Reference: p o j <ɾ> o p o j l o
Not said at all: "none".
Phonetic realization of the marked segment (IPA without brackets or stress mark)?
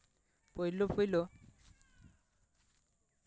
l